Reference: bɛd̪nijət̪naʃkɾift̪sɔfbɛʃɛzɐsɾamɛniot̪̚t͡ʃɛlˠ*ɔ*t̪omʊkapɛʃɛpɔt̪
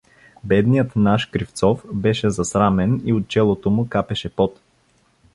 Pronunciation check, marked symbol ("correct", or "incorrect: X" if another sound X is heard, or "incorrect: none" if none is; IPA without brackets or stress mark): incorrect: o